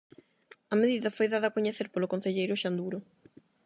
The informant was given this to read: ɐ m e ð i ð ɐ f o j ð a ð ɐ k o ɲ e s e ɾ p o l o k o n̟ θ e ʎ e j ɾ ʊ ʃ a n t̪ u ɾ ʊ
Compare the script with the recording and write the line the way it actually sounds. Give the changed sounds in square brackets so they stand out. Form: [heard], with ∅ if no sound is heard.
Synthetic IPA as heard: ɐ m e ð i ð ɐ f o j ð a ð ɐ k o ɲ e [θ] e ɾ p o l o k o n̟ θ e ʎ e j ɾ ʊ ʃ a n [d̪] u ɾ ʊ

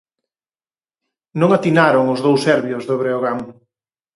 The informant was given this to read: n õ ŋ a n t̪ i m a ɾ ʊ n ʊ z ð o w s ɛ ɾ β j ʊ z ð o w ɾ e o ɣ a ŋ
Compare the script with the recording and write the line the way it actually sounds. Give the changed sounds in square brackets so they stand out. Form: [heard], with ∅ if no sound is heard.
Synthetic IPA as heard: n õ ŋ a [∅] t̪ i [n] a ɾ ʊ [ŋ] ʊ z ð o w s ɛ ɾ β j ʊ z ð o [β] ɾ e o ɣ a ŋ

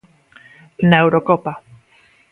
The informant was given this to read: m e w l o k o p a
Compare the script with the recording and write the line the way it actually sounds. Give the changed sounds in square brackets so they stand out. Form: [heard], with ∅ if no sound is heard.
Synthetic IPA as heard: [n] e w [ɾ] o k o p a

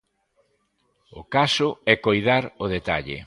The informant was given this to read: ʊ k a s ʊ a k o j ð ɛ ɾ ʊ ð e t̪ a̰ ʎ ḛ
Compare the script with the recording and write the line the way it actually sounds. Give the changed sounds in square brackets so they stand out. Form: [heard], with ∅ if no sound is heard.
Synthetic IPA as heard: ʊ k a s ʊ [ɛ] k o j ð [a] ɾ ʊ ð e t̪ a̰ ʎ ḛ

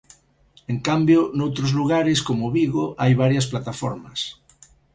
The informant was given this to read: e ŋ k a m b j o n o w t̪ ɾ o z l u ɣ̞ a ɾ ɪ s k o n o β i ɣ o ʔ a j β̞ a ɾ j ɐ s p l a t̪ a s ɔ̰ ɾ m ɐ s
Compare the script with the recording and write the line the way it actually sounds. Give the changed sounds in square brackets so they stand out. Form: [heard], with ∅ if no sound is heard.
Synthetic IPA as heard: e ŋ k a m b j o n o w t̪ ɾ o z l u ɣ̞ a ɾ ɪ s k o [m] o β i ɣ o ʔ a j β̞ a ɾ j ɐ s p l a t̪ a [f] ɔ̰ ɾ m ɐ s

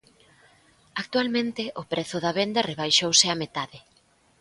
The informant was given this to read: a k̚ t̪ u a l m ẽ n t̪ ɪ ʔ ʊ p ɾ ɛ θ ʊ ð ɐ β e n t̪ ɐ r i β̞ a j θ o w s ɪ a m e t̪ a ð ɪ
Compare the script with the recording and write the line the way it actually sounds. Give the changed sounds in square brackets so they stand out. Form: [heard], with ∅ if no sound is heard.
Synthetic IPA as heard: a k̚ t̪ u a l m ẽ n t̪ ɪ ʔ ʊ p ɾ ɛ θ ʊ ð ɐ β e n [d̪] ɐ r [e] β̞ a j [ʃ] o w s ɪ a m e t̪ a ð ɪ

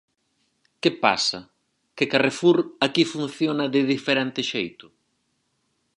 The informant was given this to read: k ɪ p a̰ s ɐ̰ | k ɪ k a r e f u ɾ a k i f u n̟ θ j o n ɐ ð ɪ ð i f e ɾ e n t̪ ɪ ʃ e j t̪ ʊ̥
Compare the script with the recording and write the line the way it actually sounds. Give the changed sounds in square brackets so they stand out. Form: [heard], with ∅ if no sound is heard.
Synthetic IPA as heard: k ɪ p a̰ s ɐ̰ | k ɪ k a r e f u ɾ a k i f u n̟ θ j o n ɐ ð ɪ ð i f e ɾ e n t̪ ɪ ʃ e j t̪ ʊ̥

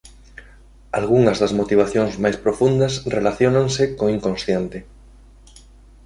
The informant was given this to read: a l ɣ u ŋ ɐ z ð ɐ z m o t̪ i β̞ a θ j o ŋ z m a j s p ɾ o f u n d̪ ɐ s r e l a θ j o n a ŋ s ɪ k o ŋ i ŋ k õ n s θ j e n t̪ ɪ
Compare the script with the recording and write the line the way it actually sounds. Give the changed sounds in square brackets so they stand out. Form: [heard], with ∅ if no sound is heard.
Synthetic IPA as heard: a l ɣ u ŋ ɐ z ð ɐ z m o t̪ i β̞ a θ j o ŋ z m a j s p ɾ o f u n d̪ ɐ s r e l a θ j o n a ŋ s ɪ k o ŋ i ŋ k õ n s θ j e n t̪ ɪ

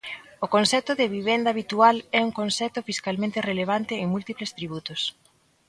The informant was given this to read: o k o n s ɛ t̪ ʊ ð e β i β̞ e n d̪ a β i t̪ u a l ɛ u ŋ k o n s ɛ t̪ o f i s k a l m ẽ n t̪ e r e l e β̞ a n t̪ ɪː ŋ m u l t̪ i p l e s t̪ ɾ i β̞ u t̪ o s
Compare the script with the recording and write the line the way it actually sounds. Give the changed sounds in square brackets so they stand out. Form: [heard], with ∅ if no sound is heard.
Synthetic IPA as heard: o k o n s ɛ t̪ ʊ ð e β i β̞ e n d̪ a β i t̪ u a l ɛ u ŋ k o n s ɛ t̪ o f i s k a l m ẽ n t̪ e r e l e β̞ a n t̪ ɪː ŋ m u l t̪ i p l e s t̪ ɾ i β̞ u t̪ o s

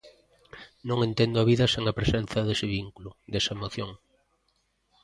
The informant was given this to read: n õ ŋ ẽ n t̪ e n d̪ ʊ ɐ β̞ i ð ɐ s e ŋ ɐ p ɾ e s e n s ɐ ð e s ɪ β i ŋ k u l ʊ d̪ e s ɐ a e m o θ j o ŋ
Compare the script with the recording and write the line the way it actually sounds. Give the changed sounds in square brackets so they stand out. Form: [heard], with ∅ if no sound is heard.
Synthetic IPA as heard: n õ ŋ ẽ n t̪ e n d̪ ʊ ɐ β̞ i ð ɐ s e ŋ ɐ p ɾ e s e n [θ] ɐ ð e s ɪ β i ŋ k u l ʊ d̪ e s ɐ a e m o θ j o ŋ

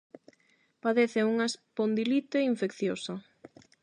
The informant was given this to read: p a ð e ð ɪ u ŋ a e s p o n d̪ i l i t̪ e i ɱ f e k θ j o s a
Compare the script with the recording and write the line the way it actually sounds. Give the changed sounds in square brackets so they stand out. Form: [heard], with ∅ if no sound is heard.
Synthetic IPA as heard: p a ð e [θ] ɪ u ŋ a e s p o n d̪ i l i t̪ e i ɱ f e k θ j o s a

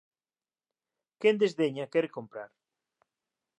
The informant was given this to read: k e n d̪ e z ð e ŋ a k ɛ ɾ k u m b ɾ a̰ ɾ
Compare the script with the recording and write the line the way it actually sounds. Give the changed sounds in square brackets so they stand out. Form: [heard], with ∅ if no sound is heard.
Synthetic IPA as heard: k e n d̪ e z ð e [ɲ] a k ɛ ɾ k [o] m [p] ɾ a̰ ɾ

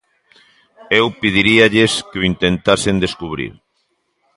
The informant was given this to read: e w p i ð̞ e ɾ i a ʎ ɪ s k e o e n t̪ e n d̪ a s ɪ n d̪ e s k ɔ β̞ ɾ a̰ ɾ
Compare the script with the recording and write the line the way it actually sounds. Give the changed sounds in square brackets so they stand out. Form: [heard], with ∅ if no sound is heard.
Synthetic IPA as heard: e w p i ð̞ [i] ɾ i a ʎ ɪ s k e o [i] n t̪ e n [t̪] a s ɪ n d̪ e s k [u] β̞ ɾ [ḭ] ɾ

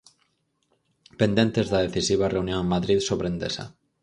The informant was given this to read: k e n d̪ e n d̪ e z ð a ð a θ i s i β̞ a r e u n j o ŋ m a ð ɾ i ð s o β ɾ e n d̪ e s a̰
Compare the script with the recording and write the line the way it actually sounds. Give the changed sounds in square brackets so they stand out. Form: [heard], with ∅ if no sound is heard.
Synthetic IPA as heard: [p] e n d̪ e n [t̪] e z ð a ð [e] θ i s i β̞ a r e u n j o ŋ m a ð ɾ i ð s o β ɾ e n d̪ e s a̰

